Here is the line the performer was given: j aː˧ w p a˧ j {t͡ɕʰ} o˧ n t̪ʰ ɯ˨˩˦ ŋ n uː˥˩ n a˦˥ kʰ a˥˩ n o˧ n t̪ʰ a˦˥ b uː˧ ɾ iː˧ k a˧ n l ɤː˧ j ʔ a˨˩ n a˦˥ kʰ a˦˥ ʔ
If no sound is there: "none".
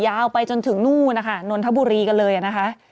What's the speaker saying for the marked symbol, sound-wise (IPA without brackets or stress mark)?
t͡ɕ